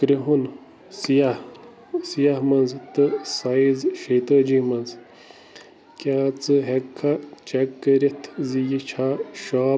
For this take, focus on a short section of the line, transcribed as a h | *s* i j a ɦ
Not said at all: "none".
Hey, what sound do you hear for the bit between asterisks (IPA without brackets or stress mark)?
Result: s